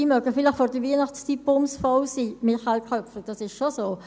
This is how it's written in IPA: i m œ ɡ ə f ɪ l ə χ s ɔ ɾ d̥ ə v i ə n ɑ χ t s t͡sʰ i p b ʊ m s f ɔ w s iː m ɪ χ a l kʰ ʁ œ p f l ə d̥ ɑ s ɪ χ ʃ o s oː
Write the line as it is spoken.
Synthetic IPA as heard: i m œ ɡ ə f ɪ l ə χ f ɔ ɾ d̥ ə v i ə n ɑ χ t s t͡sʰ i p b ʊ m s f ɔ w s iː m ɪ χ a l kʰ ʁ œ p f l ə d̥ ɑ s ɪ ʃ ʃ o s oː